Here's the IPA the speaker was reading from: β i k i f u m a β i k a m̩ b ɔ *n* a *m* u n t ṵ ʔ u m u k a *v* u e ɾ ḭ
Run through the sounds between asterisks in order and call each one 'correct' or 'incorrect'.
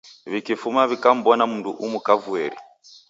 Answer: correct, correct, correct

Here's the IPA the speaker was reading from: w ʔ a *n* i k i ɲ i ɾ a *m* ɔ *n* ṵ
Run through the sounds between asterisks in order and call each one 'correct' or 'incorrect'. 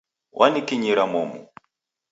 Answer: correct, correct, incorrect: m

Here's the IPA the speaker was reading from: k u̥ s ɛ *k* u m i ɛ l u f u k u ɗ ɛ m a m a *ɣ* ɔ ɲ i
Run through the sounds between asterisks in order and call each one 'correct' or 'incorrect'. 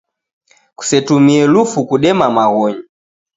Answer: incorrect: t, correct

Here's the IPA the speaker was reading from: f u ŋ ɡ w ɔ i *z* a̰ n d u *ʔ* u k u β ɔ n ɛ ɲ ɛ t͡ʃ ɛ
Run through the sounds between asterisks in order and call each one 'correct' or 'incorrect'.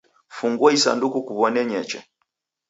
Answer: incorrect: s, incorrect: k

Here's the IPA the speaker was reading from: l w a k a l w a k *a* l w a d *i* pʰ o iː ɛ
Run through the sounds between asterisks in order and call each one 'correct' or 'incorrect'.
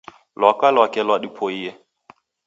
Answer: incorrect: ɛ, correct

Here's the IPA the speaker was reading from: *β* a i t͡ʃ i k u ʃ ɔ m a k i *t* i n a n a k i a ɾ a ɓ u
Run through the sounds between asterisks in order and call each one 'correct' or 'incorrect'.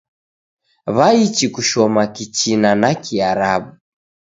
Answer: correct, incorrect: t͡ʃ

